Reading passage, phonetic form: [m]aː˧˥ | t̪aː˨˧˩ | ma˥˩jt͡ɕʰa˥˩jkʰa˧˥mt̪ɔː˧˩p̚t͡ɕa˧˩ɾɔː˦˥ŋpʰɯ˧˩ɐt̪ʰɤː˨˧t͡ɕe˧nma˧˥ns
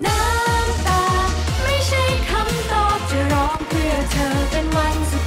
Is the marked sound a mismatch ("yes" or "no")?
yes